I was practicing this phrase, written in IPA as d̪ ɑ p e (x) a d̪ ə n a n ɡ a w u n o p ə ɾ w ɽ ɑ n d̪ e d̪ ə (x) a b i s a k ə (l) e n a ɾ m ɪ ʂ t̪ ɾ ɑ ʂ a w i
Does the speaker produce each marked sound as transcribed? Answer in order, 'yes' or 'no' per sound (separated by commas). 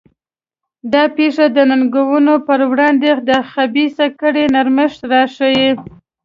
no, yes, no